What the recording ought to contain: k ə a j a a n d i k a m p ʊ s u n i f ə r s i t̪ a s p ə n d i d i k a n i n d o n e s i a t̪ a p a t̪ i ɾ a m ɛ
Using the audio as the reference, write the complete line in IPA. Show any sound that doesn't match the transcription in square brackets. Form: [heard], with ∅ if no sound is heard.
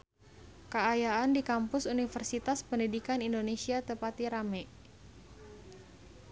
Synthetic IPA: k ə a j a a n d i k a m p ʊ s u n i f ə r s i t̪ a s p ə n d i d i k a n i n d o n e s i a t̪ [ə] p a t̪ i ɾ a m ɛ